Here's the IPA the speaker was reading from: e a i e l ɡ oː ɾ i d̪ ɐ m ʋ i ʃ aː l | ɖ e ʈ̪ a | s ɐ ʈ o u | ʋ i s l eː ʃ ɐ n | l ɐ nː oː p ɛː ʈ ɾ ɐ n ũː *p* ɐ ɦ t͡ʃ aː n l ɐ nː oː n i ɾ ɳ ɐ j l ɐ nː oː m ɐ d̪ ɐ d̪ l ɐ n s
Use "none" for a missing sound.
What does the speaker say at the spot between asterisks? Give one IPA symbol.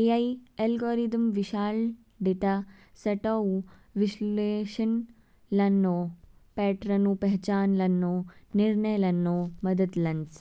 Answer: p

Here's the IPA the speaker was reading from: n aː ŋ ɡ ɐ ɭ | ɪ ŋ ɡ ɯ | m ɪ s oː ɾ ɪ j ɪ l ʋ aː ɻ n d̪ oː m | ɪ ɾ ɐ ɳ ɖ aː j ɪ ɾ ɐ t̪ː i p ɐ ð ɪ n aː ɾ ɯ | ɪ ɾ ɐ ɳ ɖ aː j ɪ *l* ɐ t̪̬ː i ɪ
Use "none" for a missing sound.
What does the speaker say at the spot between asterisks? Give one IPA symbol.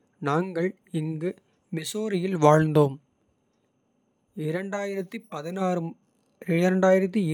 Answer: ɾ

